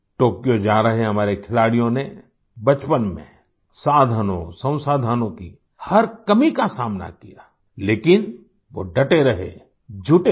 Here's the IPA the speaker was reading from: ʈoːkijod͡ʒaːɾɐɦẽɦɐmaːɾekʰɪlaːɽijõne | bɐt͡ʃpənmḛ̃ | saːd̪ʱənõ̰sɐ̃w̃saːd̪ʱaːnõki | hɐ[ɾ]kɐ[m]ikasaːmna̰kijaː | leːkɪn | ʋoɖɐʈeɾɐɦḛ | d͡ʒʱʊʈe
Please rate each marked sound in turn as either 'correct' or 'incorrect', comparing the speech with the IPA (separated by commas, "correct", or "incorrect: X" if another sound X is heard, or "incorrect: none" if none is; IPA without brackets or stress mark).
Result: correct, correct